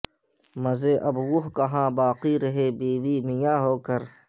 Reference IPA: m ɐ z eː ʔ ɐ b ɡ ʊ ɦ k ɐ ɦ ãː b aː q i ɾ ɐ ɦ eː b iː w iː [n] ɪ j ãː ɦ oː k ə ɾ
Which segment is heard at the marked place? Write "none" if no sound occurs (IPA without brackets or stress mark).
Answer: m